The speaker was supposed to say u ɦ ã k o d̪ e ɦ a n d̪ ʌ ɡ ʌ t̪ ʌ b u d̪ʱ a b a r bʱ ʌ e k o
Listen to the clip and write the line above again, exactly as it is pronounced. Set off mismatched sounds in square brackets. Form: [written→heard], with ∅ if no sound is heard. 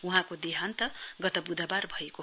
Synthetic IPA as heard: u ɦ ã k o d̪ e ɦ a n [d̪→t̪] ʌ ɡ ʌ t̪ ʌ b u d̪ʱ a b a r bʱ ʌ e k o